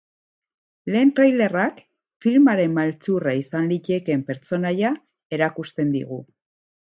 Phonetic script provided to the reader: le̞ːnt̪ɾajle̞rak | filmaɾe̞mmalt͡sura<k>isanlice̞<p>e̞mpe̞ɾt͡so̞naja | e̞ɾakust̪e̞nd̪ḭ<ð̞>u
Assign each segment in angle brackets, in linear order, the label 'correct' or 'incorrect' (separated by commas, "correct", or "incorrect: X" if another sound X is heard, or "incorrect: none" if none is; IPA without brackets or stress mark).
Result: incorrect: none, incorrect: k, incorrect: ɣ̞